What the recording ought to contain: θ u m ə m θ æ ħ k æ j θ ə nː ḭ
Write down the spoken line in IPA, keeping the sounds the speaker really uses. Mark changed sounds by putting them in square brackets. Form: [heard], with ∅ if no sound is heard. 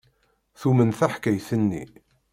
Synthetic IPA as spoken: θ u m ə [n] θ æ ħ k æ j θ ə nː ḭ